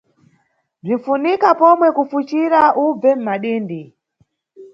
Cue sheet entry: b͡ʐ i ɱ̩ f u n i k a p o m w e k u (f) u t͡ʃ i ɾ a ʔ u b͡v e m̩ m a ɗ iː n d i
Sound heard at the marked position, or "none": f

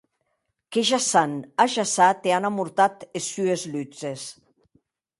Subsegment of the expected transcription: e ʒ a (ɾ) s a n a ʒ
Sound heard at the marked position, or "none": none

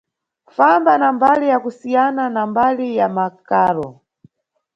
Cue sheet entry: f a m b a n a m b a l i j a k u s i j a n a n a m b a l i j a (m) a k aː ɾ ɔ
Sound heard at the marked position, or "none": m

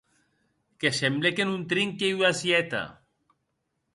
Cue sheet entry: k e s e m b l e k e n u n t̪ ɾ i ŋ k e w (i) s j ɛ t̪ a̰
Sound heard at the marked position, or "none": a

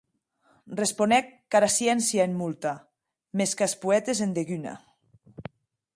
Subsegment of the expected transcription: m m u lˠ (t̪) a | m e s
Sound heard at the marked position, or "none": t̪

